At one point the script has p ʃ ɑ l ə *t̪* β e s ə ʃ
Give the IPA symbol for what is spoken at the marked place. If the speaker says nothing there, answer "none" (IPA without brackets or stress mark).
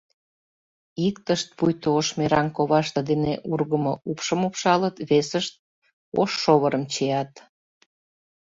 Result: t̪